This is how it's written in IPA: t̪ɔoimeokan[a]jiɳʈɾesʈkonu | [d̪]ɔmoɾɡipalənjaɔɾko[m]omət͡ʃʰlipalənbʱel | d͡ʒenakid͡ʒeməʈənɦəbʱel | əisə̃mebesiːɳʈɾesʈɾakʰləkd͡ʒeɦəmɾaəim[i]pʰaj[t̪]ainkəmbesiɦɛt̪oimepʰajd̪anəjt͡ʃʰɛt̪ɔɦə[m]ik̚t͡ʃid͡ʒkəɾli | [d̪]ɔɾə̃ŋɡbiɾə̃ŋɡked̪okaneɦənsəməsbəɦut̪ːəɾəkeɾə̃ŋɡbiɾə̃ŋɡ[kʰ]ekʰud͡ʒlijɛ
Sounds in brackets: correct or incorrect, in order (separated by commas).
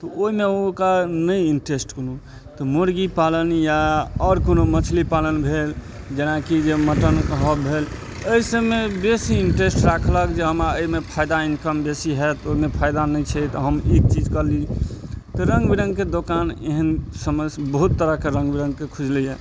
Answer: incorrect, incorrect, incorrect, incorrect, incorrect, correct, incorrect, incorrect